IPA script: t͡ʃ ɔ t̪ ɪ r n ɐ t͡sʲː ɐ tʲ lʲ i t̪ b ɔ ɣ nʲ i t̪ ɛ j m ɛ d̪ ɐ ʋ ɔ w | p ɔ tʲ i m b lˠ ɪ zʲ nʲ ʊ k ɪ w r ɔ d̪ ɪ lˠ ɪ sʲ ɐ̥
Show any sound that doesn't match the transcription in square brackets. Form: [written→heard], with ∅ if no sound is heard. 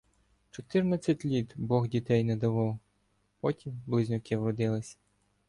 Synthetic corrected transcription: t͡ʃ ɔ t̪ ɪ r n ɐ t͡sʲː ɐ tʲ lʲ i t̪ b ɔ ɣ [nʲ→dʲ] i t̪ ɛ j [m→n] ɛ d̪ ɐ ʋ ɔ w | p ɔ tʲ i m b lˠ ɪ zʲ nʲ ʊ k ɪ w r ɔ d̪ ɪ lˠ ɪ sʲ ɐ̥